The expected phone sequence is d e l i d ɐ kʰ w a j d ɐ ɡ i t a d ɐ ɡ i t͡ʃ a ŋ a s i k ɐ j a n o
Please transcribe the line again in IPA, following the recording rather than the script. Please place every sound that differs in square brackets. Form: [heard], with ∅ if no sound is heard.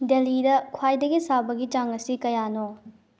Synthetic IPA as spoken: d e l i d ɐ kʰ w a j d ɐ ɡ i [s] a [b] ɐ ɡ i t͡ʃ a ŋ [ɐ] s i k ɐ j a n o